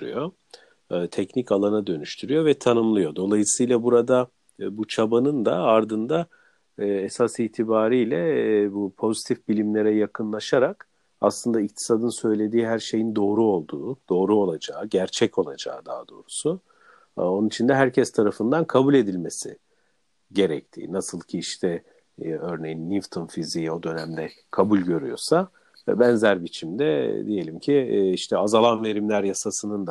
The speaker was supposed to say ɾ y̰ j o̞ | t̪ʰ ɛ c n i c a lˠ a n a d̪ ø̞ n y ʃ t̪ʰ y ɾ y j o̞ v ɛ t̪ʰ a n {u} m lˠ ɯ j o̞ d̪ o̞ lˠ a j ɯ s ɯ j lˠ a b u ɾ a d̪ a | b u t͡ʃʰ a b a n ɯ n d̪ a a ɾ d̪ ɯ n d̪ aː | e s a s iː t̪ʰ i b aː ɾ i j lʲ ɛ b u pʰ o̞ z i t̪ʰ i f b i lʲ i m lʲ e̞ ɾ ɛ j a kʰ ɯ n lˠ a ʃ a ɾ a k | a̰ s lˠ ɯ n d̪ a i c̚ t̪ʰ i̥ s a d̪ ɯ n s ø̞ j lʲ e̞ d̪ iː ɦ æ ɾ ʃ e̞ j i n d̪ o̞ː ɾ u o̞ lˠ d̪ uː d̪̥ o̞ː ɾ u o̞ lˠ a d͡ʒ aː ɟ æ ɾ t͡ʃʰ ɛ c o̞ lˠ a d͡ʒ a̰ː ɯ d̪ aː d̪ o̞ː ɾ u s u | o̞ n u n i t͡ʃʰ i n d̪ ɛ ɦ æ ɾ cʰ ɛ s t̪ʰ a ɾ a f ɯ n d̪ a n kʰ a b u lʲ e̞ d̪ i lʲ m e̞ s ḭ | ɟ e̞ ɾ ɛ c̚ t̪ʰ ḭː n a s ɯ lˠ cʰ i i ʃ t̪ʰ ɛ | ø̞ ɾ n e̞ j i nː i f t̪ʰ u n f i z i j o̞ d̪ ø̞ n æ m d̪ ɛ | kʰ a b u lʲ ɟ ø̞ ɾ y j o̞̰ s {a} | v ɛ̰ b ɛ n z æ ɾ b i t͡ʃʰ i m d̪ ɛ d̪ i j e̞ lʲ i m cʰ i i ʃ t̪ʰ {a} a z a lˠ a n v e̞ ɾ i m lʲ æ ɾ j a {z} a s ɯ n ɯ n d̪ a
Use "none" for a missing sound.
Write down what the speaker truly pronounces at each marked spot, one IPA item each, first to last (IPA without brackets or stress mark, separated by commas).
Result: ɯ, a, ɛ, s